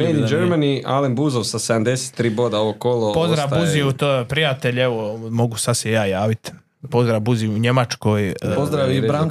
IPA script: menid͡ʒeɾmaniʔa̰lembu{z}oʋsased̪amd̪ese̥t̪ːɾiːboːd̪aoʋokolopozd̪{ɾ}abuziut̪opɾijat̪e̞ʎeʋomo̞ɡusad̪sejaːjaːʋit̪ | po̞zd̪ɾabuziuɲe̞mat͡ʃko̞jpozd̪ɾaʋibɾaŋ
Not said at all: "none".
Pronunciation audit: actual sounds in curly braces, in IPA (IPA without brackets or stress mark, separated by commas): z, ɾ